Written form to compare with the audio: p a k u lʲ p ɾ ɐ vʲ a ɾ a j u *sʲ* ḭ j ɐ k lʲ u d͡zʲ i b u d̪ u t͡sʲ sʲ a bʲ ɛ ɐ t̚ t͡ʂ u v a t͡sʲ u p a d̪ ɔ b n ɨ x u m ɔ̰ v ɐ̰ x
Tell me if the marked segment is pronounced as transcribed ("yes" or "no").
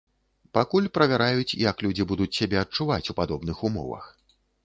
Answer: no